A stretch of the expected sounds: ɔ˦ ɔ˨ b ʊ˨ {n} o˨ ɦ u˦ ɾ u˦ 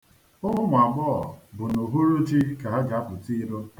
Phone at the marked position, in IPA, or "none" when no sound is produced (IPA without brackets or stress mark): n